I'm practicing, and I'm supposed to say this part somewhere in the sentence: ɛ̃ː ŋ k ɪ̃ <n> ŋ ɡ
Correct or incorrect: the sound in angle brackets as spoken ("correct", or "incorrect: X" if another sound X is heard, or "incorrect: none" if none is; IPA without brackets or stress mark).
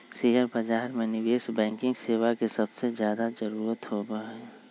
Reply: incorrect: none